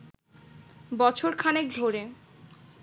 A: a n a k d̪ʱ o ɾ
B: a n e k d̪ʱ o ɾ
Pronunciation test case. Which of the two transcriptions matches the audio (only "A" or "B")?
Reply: B